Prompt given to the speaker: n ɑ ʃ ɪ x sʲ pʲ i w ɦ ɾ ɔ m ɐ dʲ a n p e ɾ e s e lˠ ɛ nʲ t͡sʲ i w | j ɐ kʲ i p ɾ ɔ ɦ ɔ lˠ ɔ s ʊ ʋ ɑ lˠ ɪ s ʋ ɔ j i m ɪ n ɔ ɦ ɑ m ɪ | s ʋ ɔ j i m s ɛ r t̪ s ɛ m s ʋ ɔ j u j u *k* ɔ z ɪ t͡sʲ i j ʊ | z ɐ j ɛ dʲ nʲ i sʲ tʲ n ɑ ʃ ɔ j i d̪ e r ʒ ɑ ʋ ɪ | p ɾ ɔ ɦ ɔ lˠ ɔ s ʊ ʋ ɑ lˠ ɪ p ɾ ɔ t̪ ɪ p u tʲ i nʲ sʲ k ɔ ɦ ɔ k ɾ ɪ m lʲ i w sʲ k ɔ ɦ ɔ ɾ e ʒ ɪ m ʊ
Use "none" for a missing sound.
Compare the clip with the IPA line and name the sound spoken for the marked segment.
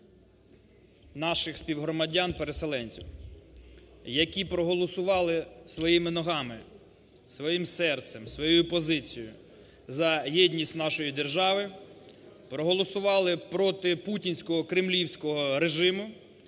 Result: p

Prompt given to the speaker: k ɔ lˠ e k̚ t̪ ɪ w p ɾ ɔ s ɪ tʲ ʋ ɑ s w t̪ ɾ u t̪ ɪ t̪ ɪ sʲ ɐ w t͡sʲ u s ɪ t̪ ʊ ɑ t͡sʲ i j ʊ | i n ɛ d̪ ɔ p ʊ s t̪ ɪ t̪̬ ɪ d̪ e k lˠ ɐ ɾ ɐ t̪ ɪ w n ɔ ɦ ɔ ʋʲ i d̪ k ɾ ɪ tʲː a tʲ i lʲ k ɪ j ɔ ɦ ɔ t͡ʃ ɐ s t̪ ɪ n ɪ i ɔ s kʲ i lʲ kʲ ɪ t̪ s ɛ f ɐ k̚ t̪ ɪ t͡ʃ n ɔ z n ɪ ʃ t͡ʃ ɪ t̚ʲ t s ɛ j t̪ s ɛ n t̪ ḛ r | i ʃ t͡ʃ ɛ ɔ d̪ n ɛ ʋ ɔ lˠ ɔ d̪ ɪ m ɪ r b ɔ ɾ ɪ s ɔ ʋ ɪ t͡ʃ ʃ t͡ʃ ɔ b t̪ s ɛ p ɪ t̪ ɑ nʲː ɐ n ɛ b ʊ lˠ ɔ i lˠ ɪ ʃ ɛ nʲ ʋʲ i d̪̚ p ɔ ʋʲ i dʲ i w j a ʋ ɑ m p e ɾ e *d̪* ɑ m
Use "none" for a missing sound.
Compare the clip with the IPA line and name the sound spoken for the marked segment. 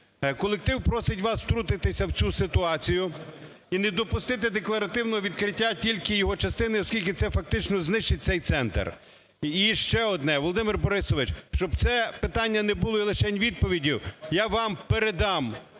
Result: d̪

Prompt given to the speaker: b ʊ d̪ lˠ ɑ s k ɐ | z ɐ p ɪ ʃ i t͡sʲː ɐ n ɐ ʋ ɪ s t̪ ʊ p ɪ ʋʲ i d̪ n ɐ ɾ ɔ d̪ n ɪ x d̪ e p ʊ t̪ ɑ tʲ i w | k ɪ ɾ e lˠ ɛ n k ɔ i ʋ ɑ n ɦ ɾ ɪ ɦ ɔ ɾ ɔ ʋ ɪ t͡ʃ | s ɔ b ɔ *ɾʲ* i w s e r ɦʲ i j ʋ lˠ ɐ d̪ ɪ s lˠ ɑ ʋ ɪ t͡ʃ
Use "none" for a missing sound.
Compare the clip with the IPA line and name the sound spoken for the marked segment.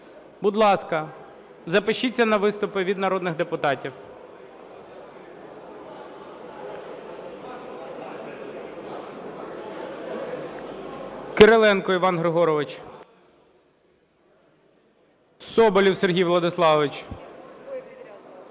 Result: lʲ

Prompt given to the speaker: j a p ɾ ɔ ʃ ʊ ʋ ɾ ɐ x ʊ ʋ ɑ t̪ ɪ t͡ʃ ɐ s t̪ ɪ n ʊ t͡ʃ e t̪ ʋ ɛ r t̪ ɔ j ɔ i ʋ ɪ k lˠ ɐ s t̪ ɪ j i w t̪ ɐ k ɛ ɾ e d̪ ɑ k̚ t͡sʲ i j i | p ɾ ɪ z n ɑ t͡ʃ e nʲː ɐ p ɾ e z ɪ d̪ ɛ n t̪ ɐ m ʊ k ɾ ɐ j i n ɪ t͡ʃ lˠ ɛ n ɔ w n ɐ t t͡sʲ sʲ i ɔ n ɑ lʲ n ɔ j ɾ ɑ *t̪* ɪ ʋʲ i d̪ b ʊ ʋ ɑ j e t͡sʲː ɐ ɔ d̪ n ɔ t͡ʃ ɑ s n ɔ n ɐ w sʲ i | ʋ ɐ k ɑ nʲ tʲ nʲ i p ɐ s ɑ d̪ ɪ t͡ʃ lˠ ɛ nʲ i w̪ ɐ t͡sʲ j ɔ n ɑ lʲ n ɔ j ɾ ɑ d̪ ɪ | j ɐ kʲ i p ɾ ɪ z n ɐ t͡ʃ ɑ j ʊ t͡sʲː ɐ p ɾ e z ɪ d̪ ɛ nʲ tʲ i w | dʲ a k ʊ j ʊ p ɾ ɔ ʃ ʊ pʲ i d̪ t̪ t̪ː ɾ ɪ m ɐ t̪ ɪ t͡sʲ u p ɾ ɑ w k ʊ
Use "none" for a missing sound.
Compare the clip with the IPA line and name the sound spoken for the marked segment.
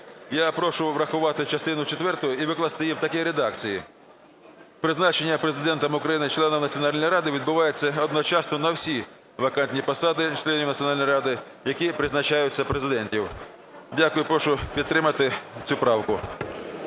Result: d̪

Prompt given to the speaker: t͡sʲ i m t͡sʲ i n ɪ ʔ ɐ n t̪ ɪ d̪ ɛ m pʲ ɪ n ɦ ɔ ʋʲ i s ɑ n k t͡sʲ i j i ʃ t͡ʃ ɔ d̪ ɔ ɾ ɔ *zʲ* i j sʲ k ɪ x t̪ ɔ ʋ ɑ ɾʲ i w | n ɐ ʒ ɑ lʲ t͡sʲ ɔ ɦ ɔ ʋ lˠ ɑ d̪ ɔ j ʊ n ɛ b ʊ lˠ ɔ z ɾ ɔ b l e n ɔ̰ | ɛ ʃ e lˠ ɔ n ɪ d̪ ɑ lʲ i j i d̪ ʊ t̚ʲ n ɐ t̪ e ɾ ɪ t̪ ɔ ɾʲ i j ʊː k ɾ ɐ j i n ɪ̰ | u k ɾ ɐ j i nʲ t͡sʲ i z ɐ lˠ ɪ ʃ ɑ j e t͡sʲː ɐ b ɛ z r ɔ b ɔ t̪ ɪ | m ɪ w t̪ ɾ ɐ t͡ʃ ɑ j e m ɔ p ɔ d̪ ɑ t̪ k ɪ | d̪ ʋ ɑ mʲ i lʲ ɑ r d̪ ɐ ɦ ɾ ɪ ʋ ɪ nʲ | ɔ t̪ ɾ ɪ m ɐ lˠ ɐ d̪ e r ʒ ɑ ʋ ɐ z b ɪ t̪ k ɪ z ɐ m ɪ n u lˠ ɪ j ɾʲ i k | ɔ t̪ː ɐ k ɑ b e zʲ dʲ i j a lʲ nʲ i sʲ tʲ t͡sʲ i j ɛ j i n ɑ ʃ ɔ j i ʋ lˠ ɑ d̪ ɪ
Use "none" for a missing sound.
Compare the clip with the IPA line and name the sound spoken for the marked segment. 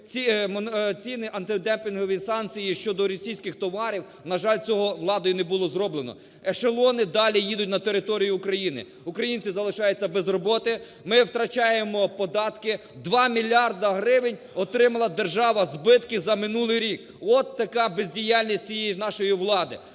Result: sʲ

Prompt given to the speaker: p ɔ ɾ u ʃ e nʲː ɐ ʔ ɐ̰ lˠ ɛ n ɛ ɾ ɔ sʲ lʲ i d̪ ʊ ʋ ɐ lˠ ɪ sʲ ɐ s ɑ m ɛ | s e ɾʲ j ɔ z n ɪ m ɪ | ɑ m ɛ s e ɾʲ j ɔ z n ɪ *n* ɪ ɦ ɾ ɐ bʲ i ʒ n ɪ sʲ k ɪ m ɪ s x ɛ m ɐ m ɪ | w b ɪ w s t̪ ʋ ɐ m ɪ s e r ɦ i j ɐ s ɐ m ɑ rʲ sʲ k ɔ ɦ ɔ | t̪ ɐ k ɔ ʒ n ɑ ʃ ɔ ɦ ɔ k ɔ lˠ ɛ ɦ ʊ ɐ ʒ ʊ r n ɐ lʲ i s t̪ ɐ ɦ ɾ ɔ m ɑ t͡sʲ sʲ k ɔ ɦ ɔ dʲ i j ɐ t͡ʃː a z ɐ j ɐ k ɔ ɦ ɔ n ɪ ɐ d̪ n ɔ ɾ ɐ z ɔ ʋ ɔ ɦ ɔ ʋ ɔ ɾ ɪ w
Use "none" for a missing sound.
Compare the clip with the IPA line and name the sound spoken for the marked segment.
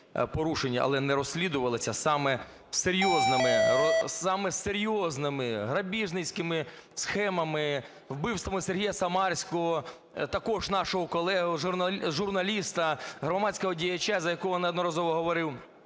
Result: m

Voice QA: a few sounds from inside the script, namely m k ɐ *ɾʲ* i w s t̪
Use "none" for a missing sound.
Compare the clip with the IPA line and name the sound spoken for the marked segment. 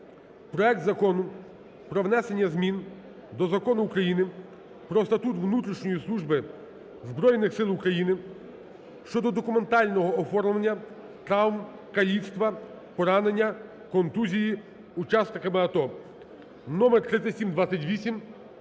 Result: lʲ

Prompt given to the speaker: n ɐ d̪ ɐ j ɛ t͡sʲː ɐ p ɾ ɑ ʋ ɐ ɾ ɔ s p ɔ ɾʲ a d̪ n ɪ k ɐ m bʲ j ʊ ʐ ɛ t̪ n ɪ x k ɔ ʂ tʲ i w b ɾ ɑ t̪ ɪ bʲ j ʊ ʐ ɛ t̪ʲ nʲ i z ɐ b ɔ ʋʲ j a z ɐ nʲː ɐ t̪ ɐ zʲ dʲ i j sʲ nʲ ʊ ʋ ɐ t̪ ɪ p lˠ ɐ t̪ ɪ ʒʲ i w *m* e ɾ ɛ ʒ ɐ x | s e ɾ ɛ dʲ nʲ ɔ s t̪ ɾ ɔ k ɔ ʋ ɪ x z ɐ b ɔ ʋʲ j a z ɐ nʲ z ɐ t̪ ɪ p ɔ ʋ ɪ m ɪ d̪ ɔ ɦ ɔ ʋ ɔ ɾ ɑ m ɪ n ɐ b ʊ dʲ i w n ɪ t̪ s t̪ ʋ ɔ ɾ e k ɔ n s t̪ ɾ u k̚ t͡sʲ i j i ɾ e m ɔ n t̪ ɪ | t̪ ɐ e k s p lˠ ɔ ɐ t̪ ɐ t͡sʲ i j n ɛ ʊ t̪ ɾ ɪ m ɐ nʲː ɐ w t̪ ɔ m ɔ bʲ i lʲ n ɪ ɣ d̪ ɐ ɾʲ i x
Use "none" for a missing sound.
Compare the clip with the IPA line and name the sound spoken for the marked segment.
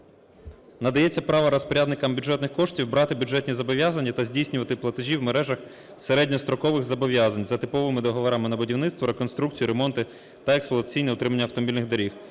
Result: m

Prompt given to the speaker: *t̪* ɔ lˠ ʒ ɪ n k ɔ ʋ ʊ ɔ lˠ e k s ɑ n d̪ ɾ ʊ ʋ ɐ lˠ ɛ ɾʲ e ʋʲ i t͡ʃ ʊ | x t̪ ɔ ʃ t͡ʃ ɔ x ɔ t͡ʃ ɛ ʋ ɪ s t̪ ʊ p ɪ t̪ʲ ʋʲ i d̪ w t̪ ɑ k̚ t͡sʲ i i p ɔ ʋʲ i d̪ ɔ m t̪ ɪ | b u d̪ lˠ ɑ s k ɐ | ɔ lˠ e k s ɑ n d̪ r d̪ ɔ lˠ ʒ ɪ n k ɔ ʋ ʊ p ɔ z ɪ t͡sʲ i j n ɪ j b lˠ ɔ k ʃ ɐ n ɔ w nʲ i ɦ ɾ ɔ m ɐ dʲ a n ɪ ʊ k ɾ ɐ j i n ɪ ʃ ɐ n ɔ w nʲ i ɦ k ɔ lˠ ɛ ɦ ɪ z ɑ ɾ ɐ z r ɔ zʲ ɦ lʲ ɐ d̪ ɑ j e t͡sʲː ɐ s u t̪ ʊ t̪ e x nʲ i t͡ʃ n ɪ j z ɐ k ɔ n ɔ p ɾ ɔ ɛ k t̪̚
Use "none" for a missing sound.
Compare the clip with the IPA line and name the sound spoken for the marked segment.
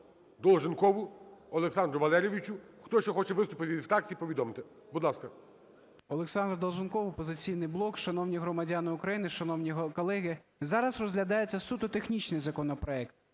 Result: d̪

